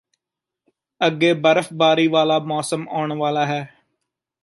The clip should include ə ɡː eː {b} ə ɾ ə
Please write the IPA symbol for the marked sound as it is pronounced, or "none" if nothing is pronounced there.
b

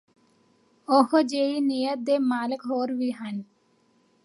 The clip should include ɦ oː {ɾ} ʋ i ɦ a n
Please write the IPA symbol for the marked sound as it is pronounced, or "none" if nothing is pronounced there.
ɾ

